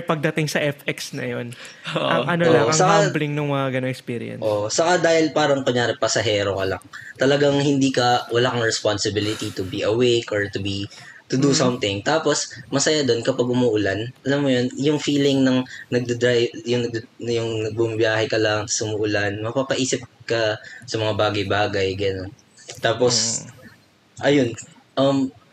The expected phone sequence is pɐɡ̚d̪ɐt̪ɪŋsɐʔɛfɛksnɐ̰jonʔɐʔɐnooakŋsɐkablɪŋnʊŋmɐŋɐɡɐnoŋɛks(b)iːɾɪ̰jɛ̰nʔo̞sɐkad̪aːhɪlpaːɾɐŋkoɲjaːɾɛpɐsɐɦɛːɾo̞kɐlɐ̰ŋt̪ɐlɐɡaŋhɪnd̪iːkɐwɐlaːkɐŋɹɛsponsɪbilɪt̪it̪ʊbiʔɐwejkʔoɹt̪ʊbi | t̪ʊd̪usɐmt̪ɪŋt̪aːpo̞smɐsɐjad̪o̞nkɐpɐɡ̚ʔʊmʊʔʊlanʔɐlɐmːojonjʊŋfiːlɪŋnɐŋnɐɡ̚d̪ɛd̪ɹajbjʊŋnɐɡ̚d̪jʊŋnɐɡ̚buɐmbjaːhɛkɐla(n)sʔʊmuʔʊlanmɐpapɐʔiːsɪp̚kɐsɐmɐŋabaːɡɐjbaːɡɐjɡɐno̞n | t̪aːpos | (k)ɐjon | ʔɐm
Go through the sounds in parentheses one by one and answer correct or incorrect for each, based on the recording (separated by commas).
incorrect, incorrect, incorrect